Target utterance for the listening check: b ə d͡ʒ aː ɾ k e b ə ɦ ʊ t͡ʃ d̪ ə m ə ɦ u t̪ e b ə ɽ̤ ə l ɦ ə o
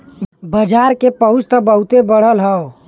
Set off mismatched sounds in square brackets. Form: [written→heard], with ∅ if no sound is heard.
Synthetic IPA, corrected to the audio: b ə d͡ʒ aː ɾ k e [b→p] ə ɦ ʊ t͡ʃ [d̪→t̪] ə [m→b] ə ɦ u t̪ e b ə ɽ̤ ə l ɦ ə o